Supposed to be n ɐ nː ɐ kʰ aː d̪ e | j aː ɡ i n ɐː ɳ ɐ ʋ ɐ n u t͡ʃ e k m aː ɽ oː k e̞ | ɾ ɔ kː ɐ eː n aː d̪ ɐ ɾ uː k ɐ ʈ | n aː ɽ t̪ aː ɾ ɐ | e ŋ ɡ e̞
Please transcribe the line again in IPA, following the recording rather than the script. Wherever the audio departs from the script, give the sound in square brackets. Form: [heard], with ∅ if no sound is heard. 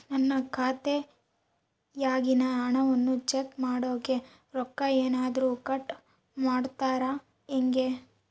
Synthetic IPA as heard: n ɐ nː ɐ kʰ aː [t̪] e | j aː ɡ i n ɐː ɳ ɐ ʋ ɐ [nː] u t͡ʃ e k m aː ɽ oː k e̞ | ɾ ɔ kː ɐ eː n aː d̪ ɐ ɾ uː k ɐ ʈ | [m] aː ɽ t̪ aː ɾ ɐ | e ŋ ɡ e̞

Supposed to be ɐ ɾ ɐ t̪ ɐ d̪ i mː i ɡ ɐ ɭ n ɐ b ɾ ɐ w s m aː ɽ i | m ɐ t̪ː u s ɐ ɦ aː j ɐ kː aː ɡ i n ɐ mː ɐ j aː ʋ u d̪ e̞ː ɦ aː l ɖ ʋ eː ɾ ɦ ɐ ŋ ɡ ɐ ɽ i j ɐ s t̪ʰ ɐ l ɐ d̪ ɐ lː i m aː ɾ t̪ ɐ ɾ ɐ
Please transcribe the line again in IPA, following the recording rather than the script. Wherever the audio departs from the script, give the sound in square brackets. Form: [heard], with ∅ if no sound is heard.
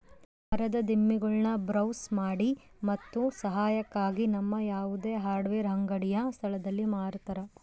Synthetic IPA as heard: ɐ ɾ ɐ [d̪] ɐ d̪ i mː i ɡ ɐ ɭ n ɐ b ɾ ɐ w s m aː ɽ i | m ɐ t̪ː u s ɐ ɦ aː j ɐ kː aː ɡ i n ɐ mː ɐ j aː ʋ u d̪ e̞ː ɦ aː [ɾ] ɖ ʋ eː ɾ ɦ ɐ ŋ ɡ ɐ ɽ i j ɐ s t̪ʰ ɐ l ɐ d̪ ɐ lː i m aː ɾ t̪ ɐ ɾ ɐ

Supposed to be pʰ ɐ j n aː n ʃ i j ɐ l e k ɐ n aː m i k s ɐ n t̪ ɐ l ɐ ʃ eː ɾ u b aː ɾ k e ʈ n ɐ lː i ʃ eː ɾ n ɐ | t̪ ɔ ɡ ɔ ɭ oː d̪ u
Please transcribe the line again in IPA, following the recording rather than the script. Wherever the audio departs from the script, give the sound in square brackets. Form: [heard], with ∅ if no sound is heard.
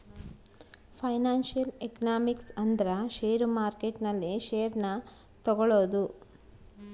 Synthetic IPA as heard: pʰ ɐ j n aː n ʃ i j ɐ l e k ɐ n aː m i k s ɐ n [d̪] ɐ [ɾ] ɐ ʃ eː ɾ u [m] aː ɾ k e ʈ n ɐ lː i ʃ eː ɾ n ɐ | t̪ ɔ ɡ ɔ ɭ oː d̪ u

